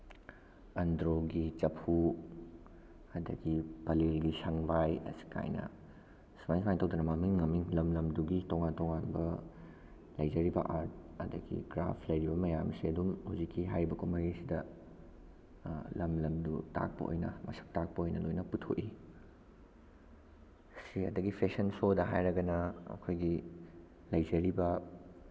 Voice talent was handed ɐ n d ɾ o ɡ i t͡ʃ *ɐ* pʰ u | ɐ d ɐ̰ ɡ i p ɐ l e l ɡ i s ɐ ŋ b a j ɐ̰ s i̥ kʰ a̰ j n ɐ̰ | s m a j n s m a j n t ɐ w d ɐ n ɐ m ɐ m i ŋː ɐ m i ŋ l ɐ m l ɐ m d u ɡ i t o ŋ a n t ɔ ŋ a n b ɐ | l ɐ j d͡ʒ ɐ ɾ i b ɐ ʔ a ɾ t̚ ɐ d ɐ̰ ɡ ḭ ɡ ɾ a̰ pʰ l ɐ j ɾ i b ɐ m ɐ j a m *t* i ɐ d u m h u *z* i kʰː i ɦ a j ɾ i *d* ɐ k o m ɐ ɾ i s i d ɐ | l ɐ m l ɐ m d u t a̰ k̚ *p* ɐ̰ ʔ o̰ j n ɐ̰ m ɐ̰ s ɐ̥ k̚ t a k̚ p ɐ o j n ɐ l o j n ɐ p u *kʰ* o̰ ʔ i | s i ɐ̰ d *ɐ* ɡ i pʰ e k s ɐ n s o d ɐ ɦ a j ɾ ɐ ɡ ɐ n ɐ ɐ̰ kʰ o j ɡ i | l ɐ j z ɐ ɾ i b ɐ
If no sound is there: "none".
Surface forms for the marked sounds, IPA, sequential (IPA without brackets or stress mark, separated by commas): ɐ, s, z, b, p, tʰ, ɐ